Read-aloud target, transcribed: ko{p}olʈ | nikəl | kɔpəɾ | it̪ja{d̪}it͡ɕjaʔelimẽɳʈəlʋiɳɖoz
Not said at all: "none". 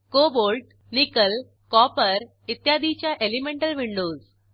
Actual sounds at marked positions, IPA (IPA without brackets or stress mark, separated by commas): b, d̪